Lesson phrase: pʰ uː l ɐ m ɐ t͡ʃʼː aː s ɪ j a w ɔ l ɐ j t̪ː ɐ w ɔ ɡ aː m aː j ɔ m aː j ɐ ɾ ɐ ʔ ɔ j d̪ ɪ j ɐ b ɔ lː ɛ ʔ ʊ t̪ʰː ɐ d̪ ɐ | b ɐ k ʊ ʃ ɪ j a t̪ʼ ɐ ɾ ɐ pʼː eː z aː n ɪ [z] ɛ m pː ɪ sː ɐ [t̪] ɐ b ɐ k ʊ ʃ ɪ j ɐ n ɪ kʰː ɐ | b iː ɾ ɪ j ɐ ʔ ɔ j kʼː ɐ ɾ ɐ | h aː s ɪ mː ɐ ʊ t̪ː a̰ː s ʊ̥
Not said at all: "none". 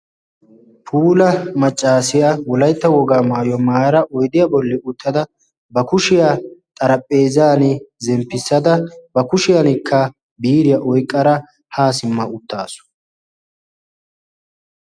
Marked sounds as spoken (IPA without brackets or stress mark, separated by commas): z, d̪